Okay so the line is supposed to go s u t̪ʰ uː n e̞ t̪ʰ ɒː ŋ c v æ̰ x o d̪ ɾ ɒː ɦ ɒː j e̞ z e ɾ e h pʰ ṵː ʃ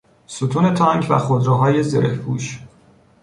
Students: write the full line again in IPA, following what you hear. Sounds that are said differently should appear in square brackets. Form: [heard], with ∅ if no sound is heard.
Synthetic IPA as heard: s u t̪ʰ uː n e̞ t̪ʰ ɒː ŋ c v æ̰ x o d̪ ɾ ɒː ɦ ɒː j e̞ z e ɾ e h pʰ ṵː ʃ